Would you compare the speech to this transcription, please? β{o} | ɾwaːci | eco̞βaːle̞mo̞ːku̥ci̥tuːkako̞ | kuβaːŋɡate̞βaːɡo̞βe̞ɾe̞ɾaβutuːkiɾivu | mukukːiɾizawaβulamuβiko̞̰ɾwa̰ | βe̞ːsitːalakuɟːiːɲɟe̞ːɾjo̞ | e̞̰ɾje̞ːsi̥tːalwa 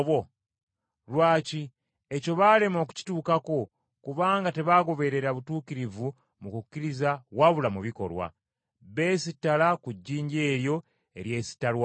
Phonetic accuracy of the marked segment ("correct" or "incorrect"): correct